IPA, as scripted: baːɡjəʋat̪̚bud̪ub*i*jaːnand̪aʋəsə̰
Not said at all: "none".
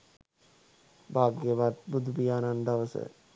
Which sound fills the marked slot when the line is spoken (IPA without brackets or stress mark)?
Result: i